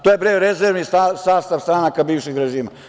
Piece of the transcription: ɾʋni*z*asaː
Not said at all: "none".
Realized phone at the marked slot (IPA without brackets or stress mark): s